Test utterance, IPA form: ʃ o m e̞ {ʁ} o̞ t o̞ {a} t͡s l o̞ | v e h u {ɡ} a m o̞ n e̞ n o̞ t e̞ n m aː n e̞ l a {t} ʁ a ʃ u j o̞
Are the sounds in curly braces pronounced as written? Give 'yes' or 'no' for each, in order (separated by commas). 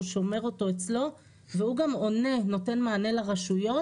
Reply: yes, no, yes, no